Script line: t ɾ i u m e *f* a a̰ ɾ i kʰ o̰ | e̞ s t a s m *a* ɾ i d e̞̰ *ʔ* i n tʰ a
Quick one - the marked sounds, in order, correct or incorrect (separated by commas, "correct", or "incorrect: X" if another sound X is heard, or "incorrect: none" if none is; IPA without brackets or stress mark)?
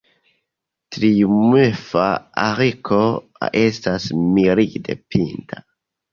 correct, incorrect: i, incorrect: p